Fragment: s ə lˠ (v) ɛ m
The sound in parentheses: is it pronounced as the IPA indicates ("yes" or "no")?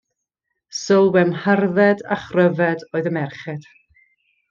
no